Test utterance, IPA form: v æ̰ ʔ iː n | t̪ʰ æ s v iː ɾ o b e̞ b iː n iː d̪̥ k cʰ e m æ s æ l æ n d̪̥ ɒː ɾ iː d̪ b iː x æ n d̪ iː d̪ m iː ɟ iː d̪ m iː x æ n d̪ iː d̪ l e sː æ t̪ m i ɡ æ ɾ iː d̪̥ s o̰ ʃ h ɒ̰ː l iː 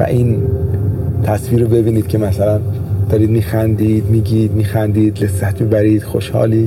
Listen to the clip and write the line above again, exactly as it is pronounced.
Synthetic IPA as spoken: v æ̰ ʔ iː n | t̪ʰ æ s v iː ɾ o b e̞ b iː n iː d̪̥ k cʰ e m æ s æ l æ n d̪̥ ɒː ɾ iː d̪ m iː x æ n d̪ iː d̪ m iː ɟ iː d̪ m iː x æ n d̪ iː d̪ l e sː æ t̪ m i b æ ɾ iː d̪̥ x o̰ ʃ h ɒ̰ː l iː